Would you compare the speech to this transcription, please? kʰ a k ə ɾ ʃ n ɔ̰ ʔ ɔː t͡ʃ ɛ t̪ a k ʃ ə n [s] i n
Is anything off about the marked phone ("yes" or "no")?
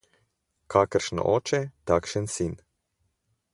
no